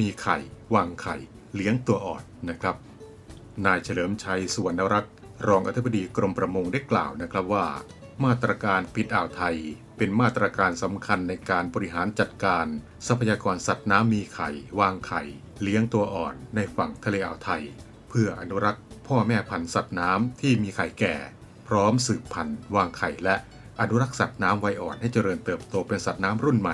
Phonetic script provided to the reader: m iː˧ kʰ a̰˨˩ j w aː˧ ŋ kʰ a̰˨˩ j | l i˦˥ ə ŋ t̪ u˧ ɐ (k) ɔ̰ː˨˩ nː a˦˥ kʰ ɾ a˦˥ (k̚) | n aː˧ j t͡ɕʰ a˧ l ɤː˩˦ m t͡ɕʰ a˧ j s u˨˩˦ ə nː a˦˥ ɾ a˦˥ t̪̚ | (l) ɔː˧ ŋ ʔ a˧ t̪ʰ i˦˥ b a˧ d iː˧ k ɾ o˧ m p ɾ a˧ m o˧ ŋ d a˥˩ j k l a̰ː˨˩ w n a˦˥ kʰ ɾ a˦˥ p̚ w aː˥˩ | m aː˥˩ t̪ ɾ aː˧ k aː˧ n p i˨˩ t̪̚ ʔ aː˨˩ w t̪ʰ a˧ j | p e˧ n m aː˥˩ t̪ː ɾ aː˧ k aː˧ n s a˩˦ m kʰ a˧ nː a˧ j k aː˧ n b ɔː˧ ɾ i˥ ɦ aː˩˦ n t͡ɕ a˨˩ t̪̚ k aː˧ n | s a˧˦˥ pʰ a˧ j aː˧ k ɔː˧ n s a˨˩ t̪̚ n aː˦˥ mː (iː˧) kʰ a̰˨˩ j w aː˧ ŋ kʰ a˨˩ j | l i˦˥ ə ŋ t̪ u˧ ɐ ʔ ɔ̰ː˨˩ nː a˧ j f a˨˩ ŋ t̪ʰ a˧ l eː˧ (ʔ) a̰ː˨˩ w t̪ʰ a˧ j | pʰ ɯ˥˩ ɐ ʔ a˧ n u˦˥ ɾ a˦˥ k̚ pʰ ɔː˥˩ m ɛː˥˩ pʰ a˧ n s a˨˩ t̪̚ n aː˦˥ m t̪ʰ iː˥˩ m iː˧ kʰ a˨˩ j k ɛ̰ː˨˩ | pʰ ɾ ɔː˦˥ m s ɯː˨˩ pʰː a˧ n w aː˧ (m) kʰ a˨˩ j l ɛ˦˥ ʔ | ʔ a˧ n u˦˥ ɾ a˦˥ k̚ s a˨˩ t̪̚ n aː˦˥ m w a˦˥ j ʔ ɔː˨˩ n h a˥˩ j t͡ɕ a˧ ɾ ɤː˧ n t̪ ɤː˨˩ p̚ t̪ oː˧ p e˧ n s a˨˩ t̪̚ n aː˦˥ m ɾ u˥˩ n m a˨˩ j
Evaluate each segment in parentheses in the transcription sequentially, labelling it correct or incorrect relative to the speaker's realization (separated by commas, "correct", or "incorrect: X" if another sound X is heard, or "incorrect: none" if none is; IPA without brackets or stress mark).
incorrect: ʔ, incorrect: p̚, incorrect: ɾ, correct, correct, incorrect: ŋ